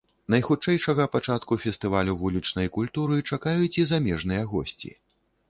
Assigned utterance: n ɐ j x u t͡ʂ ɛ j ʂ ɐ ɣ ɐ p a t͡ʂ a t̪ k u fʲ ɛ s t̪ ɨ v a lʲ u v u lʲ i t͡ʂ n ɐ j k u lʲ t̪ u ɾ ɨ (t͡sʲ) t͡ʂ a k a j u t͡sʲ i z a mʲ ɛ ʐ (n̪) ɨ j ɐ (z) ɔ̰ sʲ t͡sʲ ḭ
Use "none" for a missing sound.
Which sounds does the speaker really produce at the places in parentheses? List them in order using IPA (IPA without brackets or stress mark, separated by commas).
none, n̪, ɣ